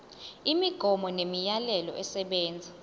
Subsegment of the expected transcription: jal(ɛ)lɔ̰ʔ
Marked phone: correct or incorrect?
correct